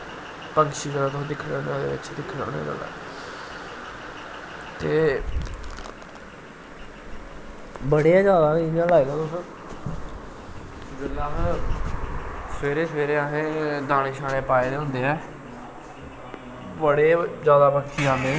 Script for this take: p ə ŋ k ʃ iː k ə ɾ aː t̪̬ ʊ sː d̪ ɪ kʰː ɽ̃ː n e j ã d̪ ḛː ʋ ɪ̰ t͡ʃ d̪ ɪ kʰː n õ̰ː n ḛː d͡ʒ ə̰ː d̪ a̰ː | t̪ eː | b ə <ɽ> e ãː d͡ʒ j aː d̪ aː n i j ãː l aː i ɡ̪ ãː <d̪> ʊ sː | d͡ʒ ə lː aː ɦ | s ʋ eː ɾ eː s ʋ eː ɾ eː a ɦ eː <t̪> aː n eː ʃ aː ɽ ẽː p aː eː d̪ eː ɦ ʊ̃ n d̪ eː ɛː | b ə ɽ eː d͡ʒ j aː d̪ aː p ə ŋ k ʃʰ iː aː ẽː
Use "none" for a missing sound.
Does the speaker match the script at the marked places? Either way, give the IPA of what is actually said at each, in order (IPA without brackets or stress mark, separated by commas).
ɽ, t̪, d̪